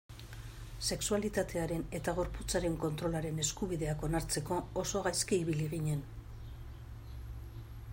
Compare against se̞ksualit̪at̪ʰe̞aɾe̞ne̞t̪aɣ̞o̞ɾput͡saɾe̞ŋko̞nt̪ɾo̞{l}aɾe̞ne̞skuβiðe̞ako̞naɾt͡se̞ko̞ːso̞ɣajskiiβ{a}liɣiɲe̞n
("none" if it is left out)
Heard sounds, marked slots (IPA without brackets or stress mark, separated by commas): l, i